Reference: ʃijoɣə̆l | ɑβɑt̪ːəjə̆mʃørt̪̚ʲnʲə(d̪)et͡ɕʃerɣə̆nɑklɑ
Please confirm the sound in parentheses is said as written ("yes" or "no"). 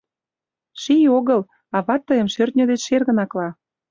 yes